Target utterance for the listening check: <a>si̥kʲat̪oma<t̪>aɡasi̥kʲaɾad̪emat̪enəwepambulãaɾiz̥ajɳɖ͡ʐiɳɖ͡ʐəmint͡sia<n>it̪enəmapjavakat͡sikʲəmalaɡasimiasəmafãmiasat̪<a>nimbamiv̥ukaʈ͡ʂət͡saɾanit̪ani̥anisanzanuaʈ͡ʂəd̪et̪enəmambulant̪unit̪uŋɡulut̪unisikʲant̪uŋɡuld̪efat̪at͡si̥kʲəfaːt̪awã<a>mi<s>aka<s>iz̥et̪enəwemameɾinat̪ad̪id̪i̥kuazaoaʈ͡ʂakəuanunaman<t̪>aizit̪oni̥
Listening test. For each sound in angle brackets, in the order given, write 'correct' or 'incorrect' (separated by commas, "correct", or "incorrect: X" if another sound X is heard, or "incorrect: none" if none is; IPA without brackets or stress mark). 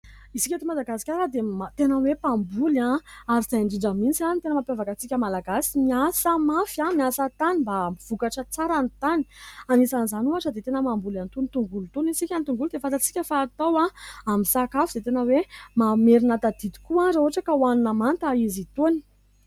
incorrect: i, incorrect: d̪, correct, correct, correct, correct, incorrect: f, correct